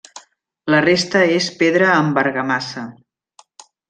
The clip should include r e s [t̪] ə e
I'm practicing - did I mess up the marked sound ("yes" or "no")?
no